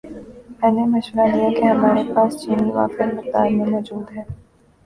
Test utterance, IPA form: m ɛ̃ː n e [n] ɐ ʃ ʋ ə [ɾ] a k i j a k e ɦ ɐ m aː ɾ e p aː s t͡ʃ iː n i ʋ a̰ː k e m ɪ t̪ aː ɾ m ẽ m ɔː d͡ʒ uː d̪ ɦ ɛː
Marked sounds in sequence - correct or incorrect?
incorrect, correct

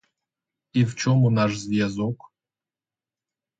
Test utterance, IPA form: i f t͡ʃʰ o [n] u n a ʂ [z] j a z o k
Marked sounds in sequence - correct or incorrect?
incorrect, correct

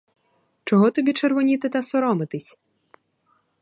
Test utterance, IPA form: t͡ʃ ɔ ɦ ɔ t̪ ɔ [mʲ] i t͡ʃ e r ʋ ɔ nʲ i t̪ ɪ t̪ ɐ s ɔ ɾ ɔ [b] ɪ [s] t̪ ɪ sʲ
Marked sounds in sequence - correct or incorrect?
incorrect, incorrect, incorrect

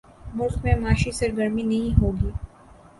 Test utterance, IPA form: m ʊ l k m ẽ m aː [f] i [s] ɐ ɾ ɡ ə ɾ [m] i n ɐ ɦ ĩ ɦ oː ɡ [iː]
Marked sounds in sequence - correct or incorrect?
incorrect, correct, correct, correct

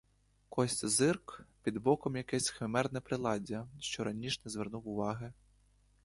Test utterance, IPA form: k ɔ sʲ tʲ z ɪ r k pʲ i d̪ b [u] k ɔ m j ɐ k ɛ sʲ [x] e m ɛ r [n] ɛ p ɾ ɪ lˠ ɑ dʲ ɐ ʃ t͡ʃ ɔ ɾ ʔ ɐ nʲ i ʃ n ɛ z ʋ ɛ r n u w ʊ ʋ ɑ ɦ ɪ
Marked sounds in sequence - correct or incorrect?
incorrect, correct, correct

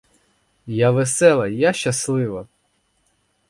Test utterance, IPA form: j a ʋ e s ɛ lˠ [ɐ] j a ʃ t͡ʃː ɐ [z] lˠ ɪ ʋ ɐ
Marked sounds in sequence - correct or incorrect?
correct, incorrect

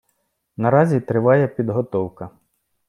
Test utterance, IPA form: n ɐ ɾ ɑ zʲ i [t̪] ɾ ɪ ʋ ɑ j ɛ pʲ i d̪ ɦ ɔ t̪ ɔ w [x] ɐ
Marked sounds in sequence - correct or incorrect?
correct, incorrect

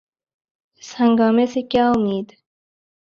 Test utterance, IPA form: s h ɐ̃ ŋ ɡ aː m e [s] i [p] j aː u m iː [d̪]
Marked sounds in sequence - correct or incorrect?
correct, incorrect, correct

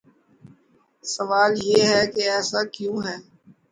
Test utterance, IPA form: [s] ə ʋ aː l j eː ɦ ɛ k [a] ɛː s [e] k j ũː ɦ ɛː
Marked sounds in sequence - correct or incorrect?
correct, incorrect, incorrect

